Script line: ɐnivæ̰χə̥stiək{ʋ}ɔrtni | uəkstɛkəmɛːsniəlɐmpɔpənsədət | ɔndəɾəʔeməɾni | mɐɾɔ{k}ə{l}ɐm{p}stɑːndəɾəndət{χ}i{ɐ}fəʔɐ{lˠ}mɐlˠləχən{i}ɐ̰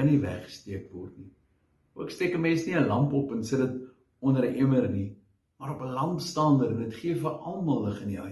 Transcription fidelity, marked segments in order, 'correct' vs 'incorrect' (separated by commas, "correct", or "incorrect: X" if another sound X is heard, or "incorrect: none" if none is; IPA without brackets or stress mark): incorrect: v, incorrect: p, correct, correct, correct, incorrect: ə, correct, correct